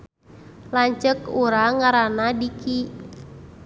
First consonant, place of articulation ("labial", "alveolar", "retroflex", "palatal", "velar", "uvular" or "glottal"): alveolar